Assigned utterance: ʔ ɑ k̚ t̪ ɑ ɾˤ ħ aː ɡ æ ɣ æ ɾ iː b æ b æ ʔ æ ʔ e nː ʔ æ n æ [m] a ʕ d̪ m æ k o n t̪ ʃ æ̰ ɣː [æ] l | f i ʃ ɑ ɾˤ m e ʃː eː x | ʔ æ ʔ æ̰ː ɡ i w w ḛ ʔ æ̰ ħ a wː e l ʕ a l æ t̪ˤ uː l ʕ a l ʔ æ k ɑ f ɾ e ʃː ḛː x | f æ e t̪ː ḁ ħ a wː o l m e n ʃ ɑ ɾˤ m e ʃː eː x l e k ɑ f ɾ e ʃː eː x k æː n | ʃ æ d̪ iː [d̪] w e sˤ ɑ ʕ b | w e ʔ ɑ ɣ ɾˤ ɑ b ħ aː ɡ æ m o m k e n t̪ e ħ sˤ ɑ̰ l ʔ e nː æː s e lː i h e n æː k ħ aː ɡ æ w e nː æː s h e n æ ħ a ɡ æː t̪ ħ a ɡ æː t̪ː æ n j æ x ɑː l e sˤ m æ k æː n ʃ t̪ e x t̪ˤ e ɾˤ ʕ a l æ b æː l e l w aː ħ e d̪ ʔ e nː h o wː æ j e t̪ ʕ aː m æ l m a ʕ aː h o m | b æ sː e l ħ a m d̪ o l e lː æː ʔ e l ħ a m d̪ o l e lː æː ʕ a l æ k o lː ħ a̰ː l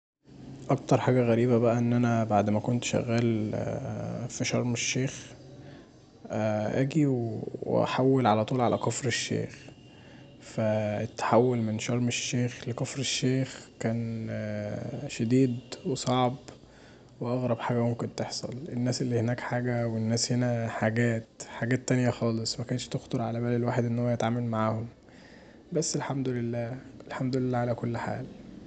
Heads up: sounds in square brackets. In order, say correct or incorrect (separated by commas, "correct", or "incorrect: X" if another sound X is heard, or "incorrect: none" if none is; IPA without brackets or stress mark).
incorrect: b, incorrect: æː, correct